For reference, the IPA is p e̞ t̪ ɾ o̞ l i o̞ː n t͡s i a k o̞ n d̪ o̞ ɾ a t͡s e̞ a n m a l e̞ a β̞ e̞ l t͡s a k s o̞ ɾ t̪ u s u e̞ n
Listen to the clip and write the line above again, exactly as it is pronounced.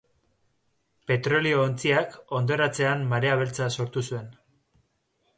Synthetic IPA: p e̞ t̪ ɾ o̞ l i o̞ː n t͡s i a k o̞ n d̪ o̞ ɾ a t͡s e̞ a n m a ɾ e̞ a β̞ e̞ l t͡s a s o̞ ɾ t̪ u s u e̞ n